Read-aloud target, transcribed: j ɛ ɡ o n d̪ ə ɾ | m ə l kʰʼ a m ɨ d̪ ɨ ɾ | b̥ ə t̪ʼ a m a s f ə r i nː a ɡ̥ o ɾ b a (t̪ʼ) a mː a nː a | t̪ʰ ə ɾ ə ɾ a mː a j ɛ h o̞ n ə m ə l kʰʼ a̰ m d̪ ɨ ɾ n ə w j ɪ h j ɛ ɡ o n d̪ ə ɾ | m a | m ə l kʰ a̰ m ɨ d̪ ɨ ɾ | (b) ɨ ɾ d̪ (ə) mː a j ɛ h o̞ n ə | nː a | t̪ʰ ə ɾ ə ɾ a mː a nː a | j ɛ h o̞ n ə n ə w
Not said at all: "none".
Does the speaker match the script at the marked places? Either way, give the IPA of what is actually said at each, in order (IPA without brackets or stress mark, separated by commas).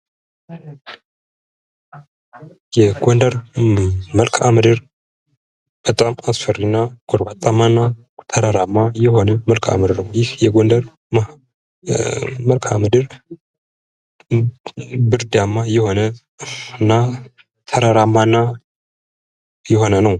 t̪ʼ, b, a